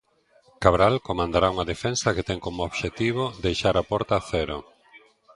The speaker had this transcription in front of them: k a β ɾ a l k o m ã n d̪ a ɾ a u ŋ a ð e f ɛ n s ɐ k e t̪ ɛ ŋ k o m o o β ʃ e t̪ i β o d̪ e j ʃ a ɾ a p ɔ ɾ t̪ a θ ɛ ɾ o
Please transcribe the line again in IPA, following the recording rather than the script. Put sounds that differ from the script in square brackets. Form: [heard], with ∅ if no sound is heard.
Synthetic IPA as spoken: k a β ɾ a l k o m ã n d̪ a ɾ a u ŋ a ð e f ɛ n s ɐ k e t̪ ɛ ŋ k o m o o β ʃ e t̪ i β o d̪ e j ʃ a ɾ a p ɔ ɾ t̪ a θ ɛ ɾ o